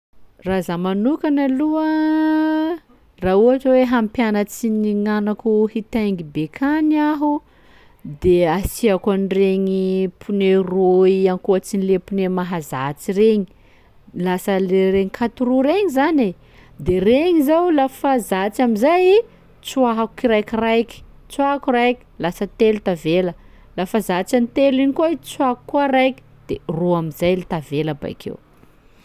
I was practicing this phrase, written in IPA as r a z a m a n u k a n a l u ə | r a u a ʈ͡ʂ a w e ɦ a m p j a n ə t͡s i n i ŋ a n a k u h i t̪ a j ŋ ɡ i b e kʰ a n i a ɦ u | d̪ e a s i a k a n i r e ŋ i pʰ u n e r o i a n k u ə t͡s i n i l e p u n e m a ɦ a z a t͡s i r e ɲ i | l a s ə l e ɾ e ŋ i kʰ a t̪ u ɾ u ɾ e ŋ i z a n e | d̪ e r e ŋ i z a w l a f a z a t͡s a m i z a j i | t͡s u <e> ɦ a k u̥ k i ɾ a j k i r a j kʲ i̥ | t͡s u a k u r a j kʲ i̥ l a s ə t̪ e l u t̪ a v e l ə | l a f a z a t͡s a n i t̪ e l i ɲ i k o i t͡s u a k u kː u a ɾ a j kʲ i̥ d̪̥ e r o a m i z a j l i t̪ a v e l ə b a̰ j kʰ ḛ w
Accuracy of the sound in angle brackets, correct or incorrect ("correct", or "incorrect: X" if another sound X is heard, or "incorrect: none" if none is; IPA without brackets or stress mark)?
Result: incorrect: a